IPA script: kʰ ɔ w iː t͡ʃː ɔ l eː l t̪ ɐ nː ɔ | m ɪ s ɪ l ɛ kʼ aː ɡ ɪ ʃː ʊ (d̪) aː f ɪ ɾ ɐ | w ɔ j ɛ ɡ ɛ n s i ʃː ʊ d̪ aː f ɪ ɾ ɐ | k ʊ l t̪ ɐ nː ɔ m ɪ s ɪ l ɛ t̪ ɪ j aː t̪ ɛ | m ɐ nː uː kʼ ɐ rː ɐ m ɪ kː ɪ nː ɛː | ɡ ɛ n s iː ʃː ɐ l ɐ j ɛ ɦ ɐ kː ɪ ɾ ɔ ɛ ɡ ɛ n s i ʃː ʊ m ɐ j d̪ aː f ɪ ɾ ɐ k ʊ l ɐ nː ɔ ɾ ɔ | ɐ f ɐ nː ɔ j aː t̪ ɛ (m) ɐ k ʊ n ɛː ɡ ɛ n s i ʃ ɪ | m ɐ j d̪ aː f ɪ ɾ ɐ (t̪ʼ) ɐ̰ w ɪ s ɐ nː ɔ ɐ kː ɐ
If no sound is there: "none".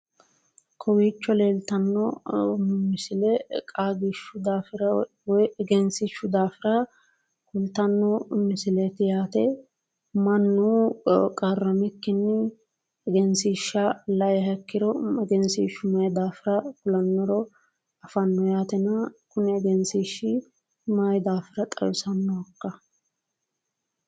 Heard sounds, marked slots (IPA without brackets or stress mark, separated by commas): d̪, n, t̪ʼ